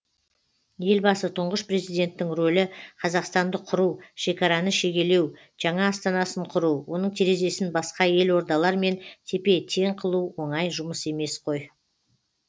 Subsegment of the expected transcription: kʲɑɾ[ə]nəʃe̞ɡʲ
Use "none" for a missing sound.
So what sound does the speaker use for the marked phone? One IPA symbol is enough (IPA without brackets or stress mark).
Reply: ɑ